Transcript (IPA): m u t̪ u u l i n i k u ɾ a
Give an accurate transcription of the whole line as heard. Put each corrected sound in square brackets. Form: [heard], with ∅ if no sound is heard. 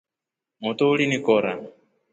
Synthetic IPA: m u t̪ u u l i n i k [ɔ] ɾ a